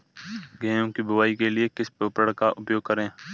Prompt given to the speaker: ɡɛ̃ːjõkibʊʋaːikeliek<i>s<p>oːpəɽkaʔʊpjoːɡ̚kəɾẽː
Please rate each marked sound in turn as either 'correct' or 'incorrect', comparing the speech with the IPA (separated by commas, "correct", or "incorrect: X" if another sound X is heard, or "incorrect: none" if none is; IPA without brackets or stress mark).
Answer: incorrect: ɪ, correct